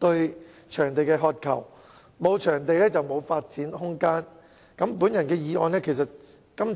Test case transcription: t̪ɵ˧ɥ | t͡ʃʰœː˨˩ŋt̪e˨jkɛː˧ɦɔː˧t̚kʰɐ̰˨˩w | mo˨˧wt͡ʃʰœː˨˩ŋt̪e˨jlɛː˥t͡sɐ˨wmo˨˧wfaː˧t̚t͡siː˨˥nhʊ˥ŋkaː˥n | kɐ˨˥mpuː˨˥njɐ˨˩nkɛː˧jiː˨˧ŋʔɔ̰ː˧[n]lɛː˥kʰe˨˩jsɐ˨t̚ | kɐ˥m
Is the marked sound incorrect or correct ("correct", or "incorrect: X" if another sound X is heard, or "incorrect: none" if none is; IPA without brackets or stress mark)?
correct